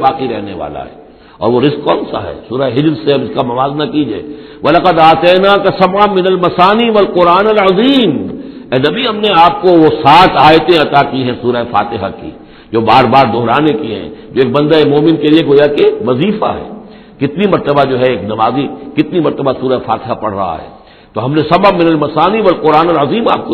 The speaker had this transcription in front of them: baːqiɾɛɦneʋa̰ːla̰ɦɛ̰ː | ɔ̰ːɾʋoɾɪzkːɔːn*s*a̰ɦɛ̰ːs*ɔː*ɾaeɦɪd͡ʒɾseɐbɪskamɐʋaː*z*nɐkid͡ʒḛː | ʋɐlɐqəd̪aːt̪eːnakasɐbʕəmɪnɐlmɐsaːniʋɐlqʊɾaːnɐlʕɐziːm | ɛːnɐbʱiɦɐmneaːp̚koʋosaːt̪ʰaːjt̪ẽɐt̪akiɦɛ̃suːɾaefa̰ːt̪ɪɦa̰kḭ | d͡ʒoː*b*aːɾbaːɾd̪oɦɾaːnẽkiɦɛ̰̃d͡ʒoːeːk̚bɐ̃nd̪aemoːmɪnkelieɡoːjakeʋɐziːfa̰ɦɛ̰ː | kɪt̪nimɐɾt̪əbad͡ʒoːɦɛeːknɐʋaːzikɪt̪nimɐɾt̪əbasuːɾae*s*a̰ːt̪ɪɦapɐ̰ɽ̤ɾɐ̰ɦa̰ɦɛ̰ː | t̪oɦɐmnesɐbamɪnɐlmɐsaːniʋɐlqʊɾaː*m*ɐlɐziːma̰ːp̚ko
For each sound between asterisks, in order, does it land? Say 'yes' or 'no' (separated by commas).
yes, no, yes, yes, no, no